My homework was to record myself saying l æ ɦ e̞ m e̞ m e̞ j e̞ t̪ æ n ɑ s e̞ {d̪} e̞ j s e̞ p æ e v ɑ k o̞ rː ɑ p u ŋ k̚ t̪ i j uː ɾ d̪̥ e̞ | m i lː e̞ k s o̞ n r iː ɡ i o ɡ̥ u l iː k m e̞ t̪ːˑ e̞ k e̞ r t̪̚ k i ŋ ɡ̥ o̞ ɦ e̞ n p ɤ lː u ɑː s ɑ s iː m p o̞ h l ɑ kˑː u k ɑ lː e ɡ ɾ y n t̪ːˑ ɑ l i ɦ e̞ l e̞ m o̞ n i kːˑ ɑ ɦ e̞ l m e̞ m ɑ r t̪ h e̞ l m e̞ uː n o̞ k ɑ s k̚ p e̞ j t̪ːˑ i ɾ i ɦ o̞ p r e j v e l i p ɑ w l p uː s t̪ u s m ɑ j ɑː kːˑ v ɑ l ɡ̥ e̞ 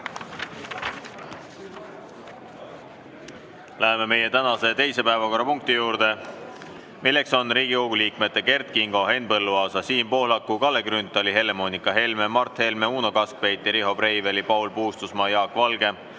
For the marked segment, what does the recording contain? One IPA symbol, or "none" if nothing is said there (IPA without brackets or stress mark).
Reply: t̪